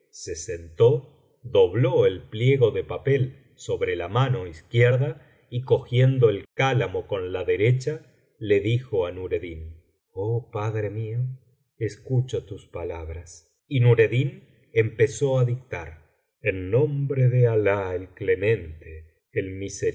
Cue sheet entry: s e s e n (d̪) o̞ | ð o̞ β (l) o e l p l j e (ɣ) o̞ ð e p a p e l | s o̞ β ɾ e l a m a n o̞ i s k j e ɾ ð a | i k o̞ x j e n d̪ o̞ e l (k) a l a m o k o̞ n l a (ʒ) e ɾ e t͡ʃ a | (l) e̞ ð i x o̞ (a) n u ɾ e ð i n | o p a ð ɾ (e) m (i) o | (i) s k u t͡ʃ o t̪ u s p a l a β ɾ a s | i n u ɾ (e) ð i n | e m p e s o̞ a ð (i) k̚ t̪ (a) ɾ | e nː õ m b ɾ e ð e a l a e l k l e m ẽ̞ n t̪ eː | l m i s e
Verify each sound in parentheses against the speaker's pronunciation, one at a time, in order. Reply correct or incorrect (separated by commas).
incorrect, correct, correct, correct, incorrect, correct, correct, correct, correct, incorrect, correct, correct, correct